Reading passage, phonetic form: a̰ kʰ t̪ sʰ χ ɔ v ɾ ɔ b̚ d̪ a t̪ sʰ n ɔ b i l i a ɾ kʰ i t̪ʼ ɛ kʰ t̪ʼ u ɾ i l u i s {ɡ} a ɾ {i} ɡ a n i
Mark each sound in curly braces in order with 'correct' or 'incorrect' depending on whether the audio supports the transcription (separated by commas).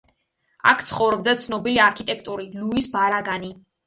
incorrect, incorrect